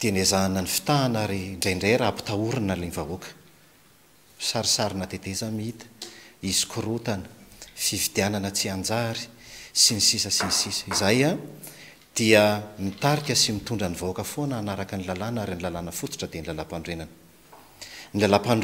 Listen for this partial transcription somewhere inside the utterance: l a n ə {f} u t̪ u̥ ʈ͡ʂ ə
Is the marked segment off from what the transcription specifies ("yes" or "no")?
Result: no